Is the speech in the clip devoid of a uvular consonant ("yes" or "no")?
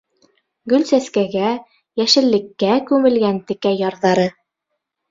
yes